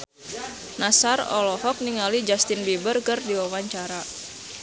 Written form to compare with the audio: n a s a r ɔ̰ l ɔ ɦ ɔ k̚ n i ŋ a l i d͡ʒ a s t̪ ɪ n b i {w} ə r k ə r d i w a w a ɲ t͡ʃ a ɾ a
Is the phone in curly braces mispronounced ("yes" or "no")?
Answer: yes